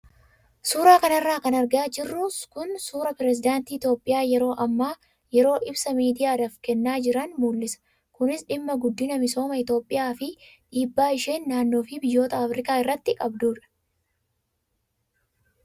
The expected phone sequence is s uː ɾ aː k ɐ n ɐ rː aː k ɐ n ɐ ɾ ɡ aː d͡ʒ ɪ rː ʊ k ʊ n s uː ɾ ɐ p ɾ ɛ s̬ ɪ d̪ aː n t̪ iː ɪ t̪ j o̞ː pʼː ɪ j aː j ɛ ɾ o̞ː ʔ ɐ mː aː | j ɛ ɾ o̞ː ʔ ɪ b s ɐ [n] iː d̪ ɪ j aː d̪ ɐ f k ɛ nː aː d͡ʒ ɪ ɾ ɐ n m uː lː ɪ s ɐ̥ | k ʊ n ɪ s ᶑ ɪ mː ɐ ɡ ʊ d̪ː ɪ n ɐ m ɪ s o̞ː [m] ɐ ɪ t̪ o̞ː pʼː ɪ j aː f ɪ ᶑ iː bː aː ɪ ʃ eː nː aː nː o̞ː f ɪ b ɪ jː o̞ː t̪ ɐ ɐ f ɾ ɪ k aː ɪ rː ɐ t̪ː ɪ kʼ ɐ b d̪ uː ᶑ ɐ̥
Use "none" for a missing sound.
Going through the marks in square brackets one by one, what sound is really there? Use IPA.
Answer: m, m

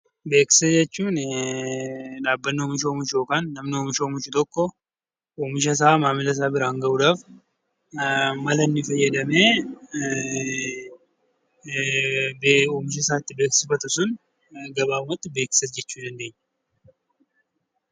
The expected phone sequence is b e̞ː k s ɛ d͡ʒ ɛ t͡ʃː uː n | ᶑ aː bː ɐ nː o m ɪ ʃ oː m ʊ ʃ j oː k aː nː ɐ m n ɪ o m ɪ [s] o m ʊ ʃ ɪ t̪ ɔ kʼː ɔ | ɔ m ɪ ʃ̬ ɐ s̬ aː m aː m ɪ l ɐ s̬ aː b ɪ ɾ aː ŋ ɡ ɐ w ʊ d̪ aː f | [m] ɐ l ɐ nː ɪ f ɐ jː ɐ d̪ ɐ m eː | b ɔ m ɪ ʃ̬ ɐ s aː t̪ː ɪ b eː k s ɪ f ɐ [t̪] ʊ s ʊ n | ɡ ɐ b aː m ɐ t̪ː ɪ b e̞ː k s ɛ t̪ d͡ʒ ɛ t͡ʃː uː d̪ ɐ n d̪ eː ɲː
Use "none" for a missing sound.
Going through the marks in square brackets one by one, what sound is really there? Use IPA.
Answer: ʃ, m, t̪

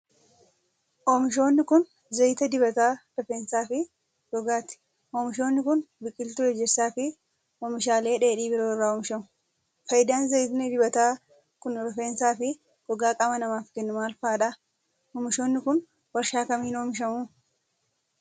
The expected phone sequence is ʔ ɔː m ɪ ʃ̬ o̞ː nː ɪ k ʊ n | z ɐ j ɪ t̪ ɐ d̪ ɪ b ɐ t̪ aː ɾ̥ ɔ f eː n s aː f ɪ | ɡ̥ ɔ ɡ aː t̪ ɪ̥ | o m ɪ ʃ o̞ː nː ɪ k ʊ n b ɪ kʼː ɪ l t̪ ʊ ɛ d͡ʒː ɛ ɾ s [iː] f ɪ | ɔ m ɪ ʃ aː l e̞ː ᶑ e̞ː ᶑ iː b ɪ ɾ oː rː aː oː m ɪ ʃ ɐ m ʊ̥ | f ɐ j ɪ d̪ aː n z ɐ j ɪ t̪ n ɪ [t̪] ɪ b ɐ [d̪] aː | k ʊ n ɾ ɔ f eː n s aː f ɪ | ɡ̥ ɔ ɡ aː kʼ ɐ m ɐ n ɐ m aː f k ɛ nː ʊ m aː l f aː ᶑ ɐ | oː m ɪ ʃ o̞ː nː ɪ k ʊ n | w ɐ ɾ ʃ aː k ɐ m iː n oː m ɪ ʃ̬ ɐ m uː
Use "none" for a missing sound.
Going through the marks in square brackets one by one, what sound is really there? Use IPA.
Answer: aː, d̪, t̪

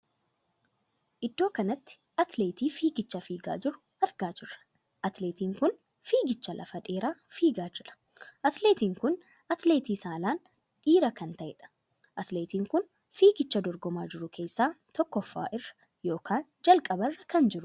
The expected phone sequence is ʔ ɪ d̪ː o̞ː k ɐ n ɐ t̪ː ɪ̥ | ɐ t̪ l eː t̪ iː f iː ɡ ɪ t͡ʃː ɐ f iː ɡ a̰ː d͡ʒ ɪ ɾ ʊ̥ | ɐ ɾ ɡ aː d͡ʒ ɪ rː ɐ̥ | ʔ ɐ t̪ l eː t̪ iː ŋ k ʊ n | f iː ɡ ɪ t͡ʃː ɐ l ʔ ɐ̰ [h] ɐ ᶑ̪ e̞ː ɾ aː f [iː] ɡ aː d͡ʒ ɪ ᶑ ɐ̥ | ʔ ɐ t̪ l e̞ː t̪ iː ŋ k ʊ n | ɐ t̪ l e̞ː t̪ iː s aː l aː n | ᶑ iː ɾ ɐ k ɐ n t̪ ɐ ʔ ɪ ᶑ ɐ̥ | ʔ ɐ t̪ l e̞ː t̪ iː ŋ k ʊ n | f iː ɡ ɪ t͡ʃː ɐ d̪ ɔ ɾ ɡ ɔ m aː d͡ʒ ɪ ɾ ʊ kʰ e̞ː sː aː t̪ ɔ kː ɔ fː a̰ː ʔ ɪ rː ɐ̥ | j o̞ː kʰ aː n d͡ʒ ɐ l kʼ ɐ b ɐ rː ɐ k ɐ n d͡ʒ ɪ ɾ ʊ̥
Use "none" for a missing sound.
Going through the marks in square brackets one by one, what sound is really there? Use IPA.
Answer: f, iː

